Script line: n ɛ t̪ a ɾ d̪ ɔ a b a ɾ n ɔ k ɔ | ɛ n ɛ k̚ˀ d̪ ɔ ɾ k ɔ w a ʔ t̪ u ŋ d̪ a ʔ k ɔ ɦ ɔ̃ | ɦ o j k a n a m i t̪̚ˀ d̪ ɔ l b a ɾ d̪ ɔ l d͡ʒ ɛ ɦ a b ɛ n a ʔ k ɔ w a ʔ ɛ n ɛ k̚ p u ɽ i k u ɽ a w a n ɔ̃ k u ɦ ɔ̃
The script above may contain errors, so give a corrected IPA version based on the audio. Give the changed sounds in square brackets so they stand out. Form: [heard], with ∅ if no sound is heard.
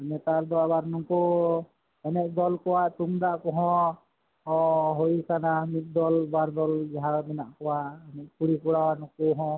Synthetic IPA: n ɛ t̪ a ɾ d̪ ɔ a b a ɾ n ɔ k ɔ | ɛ n ɛ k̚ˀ d̪ ɔ [l] k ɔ w a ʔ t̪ u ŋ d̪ a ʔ k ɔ ɦ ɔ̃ | ɦ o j k a n a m i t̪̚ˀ d̪ ɔ l b a ɾ d̪ ɔ l d͡ʒ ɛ ɦ a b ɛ n a ʔ k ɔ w a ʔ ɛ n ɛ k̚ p u ɽ i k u ɽ a w a n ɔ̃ k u ɦ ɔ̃